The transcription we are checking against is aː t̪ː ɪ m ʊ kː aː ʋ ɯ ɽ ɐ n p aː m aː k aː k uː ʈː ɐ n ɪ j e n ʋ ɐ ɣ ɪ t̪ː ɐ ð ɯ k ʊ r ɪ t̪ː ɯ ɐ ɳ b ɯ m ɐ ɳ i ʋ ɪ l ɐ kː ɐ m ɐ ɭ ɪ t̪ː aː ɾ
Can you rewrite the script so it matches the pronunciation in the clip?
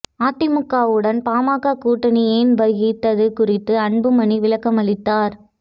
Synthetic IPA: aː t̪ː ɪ m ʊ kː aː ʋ ɯ ɽ ɐ n p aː m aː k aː k uː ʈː ɐ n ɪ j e n ʋ ɐ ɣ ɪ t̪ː ɐ ð ɯ k ʊ r ɪ t̪ː ɯ ɐ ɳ b ɯ m ɐ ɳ i ʋ ɪ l ɐ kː ɐ m ɐ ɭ ɪ t̪ː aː ɾ